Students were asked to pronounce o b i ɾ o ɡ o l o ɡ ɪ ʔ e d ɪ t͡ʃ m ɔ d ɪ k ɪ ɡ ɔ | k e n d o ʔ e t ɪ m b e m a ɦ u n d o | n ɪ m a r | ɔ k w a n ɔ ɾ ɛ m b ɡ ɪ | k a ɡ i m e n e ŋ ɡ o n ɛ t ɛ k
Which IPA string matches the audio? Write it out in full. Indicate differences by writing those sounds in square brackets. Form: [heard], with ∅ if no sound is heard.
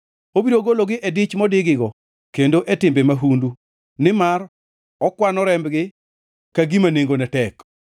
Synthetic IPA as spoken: o b i ɾ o ɡ o l o ɡ ɪ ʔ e d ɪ t͡ʃ m ɔ d ɪ [ɡ] ɪ ɡ ɔ | k e n d o ʔ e t ɪ m b e m a ɦ u n d [u] | n ɪ m a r | ɔ k w a n ɔ ɾ ɛ m b ɡ ɪ | k a ɡ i m [a] n e ŋ ɡ o n ɛ t ɛ k